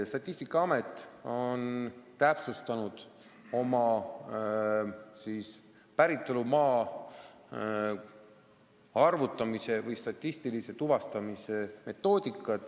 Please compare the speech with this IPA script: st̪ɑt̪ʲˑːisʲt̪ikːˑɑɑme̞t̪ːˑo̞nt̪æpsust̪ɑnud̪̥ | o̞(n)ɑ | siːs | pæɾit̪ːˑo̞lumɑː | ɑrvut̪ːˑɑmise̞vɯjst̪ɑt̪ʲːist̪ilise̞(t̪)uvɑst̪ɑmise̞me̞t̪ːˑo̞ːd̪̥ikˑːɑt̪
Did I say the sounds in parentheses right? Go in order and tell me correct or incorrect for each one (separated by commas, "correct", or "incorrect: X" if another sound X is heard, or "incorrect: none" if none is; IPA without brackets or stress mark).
incorrect: m, correct